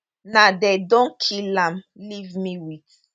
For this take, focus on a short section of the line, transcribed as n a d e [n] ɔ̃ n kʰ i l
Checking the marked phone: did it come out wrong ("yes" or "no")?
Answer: yes